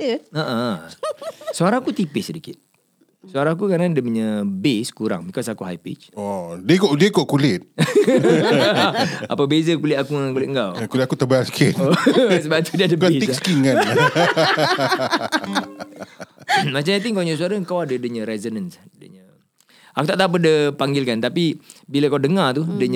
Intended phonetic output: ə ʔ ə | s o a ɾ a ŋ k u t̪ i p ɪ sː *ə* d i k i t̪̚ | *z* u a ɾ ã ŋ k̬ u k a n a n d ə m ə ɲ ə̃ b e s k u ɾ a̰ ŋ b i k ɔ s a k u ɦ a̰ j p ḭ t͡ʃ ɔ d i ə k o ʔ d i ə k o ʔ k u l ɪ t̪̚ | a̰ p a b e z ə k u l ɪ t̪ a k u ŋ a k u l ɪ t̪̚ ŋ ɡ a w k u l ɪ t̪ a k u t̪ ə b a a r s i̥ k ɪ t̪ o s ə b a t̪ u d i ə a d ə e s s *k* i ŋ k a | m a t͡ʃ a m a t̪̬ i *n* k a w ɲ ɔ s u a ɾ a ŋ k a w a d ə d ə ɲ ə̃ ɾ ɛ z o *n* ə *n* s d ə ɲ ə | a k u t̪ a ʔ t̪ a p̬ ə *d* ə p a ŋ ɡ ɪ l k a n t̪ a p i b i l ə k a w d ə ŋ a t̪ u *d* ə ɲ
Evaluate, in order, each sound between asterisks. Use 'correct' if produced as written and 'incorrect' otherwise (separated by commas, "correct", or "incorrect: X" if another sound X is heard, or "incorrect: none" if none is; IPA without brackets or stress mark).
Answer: correct, incorrect: s, correct, incorrect: ŋ, correct, correct, correct, correct